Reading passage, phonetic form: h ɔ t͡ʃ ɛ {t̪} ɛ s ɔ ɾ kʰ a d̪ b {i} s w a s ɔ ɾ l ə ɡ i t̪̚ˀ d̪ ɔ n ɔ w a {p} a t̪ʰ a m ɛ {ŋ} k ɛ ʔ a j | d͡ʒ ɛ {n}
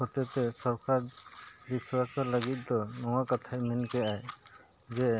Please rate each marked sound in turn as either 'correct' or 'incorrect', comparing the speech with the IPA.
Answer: correct, correct, incorrect: k, incorrect: n, incorrect: none

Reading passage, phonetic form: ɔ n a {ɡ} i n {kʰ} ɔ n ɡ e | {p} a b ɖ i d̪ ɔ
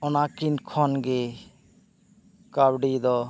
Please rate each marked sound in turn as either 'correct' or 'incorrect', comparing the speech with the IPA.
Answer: incorrect: k, correct, incorrect: k

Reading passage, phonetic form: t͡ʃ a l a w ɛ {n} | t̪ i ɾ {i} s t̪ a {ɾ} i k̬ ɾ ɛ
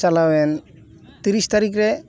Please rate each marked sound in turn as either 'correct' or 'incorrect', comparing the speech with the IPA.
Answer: correct, correct, correct

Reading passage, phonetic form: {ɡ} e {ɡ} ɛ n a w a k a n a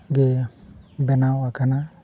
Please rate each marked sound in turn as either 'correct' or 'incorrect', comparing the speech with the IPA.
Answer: correct, incorrect: b

